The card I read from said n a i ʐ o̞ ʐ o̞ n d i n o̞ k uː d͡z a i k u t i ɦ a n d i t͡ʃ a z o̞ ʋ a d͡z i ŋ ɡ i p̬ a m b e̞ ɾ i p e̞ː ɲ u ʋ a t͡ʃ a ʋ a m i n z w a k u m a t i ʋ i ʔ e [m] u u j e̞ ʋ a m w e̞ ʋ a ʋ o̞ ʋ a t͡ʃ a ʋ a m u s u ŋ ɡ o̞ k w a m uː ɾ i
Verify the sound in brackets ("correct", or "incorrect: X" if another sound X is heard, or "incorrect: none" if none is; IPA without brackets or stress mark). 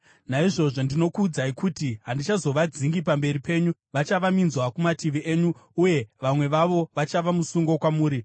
incorrect: ɲ